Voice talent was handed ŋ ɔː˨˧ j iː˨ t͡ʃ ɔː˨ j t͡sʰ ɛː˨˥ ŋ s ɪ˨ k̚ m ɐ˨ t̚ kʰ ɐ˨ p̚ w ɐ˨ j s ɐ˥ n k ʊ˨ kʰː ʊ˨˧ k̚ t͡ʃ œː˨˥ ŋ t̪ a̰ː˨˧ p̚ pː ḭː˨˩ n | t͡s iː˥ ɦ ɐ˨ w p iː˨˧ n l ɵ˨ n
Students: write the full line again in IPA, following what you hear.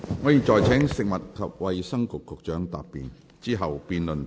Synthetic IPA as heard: ŋ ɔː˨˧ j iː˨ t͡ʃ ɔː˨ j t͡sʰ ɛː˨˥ ŋ s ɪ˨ k̚ m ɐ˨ t̚ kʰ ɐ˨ p̚ w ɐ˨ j s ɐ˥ ŋ k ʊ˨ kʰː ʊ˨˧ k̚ t͡ʃ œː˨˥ ŋ t̪ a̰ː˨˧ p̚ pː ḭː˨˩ n | t͡s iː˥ ɦ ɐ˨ w p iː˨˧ n l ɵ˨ n